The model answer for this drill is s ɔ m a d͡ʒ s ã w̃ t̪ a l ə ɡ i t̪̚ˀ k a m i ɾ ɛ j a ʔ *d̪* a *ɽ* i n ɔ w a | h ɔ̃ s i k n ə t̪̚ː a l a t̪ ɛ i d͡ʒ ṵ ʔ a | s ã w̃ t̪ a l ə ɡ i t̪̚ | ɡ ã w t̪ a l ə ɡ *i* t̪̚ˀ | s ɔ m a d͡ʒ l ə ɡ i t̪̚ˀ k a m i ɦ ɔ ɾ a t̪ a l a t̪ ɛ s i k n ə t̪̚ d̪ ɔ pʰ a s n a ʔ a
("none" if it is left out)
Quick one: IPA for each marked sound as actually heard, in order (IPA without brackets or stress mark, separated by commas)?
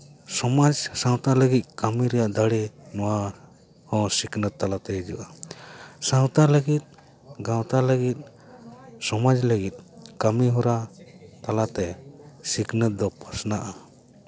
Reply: d̪, ɽ, i